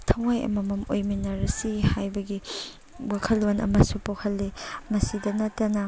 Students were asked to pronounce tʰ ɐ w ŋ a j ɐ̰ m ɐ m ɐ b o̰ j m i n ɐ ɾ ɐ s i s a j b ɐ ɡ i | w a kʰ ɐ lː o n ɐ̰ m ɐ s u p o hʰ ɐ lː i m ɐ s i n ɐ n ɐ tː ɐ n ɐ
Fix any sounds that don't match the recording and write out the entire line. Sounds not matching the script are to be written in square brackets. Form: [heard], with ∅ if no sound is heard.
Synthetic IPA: tʰ ɐ w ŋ a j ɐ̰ m ɐ m ɐ [m] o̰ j m i n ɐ ɾ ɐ s i [h] a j b ɐ ɡ i | w a kʰ ɐ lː o n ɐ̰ m ɐ s u p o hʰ ɐ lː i m ɐ s i [d] ɐ n ɐ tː ɐ n ɐ